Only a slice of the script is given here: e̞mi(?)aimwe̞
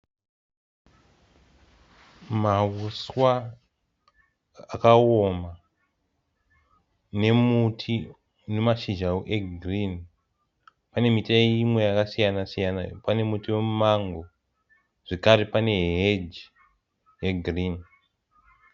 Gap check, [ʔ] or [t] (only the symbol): t